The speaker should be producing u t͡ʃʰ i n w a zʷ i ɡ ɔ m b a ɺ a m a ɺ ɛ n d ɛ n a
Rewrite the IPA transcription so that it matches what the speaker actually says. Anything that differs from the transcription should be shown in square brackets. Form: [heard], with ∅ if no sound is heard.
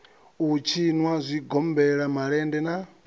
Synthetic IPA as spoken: u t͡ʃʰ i n w a zʷ i ɡ ɔ m b [ɛ] ɺ a m a ɺ ɛ n d ɛ n a